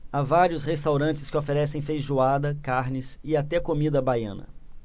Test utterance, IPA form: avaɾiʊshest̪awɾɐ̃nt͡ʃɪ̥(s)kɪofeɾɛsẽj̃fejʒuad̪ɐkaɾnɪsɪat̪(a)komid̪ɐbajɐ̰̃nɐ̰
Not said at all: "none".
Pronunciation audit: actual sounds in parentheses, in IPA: s, ɛ

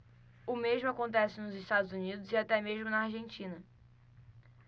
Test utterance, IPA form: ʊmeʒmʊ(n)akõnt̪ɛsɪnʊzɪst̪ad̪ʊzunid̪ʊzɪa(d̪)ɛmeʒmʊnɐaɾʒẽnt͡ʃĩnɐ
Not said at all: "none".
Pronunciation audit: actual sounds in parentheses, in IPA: none, t̪

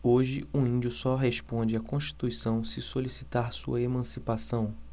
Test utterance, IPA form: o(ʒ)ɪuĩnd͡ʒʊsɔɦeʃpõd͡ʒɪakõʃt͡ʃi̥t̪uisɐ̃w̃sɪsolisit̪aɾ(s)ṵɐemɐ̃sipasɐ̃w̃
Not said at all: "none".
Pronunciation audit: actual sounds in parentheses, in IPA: ʒ, s

